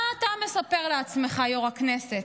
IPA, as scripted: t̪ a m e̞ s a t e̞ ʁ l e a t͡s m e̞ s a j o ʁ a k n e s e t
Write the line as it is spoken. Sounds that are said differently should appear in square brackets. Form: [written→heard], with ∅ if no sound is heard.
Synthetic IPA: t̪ a m e̞ s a [t→p] e̞ ʁ l e a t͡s m e̞ [s→χ] a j o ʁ a k n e s e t

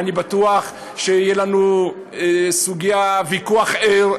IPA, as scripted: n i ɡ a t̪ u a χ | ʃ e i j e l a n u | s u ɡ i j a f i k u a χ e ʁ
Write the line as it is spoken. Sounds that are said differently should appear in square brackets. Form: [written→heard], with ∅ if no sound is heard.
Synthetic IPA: n i [ɡ→b] a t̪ u a χ | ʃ e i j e l a n u | s u ɡ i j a [f→v] i k u a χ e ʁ

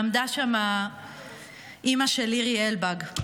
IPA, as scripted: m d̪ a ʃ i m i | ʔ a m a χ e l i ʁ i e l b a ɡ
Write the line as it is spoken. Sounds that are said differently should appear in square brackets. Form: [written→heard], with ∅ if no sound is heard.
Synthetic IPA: m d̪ a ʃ [i→a] m [i→a] | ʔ [a→i] m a [χ→ʃ] e l i ʁ i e l b a ɡ

